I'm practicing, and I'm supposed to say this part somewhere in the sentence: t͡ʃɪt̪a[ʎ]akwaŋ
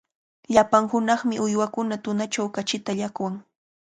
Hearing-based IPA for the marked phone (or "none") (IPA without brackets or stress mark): ʎ